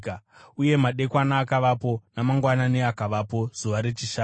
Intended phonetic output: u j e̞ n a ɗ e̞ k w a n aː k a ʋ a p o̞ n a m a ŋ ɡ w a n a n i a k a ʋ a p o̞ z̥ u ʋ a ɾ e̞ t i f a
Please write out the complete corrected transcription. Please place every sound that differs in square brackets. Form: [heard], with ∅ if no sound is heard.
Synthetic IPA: u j e̞ [m] a ɗ e̞ k w a n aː k a ʋ a p o̞ n a m a ŋ ɡ w a n a n [e] a k a ʋ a p o̞ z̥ u ʋ a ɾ e̞ [t͡ʃ] i [ʃ] a